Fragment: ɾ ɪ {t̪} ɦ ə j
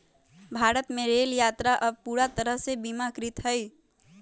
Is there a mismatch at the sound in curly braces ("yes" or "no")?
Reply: no